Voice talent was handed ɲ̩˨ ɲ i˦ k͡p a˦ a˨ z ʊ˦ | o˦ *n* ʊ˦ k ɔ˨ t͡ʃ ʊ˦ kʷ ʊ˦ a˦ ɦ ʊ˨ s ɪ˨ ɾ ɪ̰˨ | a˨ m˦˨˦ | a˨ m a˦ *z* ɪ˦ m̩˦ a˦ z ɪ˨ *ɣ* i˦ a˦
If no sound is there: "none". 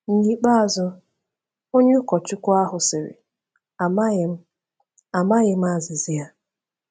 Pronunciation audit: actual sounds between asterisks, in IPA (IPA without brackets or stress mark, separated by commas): ɲ, ɣ, z